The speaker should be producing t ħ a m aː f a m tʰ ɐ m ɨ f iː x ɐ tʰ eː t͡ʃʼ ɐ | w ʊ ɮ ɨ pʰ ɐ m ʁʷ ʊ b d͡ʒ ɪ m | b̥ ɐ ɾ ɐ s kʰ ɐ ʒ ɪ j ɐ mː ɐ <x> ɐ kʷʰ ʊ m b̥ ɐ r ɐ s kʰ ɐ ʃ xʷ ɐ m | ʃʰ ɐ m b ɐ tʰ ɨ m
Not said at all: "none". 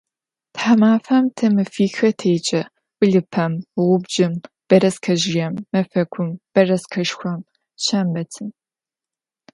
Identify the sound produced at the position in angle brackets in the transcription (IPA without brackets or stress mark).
f